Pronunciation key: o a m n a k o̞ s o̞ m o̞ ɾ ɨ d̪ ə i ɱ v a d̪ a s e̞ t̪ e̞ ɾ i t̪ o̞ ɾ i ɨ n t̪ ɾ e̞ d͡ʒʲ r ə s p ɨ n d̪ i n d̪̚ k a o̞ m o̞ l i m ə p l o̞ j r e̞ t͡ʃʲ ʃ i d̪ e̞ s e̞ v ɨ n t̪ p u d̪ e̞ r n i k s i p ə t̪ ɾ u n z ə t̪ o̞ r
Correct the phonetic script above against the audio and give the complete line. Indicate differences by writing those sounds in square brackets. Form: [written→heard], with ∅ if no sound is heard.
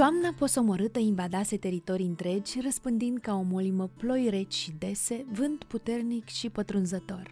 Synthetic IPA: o a m n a [k→p] o̞ s o̞ m o̞ ɾ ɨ [d̪→t̪] ə i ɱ v a d̪ a s e̞ t̪ e̞ ɾ i t̪ o̞ ɾ i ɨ n t̪ ɾ e̞ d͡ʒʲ r ə s p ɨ n d̪ i n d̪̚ k a o̞ m o̞ l i m ə p l o̞ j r e̞ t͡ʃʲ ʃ i d̪ e̞ s e̞ v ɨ n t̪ p u [d̪→t̪] e̞ r n i k [s→ʃ] i p ə t̪ ɾ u n z ə t̪ o̞ r